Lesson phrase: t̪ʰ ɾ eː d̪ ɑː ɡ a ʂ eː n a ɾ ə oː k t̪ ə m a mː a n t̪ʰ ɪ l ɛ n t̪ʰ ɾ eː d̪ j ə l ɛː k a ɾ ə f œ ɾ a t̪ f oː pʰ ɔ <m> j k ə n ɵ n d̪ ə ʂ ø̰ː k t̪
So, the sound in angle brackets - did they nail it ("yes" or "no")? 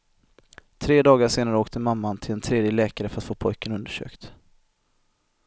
no